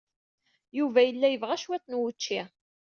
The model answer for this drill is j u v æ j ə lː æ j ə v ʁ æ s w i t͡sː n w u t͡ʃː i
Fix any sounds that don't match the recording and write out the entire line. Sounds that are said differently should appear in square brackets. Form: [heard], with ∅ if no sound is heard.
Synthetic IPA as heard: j u v æ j ə lː æ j ə v ʁ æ [ʃ] w [æ] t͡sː n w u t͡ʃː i